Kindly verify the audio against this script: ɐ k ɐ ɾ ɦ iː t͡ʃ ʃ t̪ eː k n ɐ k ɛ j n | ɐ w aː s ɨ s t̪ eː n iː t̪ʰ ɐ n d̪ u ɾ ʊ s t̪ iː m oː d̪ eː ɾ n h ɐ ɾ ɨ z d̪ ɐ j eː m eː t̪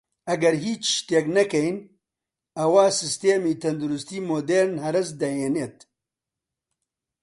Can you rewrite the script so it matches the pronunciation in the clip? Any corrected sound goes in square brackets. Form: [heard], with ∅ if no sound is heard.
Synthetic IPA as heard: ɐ [ɡ] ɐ ɾ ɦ iː t͡ʃ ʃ t̪ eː k n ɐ k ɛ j n | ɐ w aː s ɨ s t̪ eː [m] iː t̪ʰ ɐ n d̪ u ɾ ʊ s t̪ iː m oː d̪ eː ɾ n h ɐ ɾ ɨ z d̪ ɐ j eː [n] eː t̪